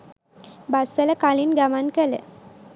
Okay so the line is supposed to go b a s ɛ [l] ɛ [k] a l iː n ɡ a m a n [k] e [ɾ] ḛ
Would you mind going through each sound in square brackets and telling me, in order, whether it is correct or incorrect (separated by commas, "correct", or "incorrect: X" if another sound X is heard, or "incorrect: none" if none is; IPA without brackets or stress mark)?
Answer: correct, correct, correct, incorrect: l